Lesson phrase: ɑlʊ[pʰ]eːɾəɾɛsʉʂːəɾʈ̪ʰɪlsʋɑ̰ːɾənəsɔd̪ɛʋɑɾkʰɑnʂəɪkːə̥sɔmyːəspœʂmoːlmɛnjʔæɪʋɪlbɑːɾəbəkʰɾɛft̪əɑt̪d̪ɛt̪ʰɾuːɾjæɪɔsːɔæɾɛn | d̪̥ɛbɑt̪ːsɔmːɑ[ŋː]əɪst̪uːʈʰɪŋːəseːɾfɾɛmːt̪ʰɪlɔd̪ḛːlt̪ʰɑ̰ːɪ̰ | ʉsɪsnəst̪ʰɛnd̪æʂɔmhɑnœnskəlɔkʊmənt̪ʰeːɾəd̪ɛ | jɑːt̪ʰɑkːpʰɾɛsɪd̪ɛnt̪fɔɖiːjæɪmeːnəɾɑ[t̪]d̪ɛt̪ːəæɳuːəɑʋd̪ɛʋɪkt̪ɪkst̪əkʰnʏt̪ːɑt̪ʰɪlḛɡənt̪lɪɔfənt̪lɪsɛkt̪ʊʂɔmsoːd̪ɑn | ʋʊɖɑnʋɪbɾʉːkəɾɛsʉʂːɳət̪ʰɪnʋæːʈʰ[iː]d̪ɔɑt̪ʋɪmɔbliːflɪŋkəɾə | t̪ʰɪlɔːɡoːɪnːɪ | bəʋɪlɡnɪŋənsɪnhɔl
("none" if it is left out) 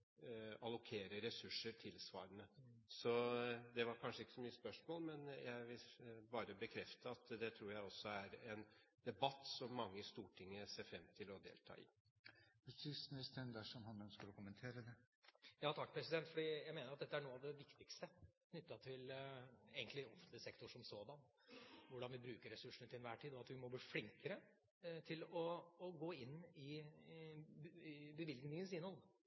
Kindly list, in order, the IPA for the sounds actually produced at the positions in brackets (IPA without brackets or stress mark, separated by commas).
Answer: kʰ, ŋː, t̪, iː